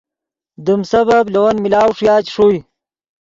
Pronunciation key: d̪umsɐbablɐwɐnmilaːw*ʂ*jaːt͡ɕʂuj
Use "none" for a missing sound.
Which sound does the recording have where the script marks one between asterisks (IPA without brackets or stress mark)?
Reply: ʂ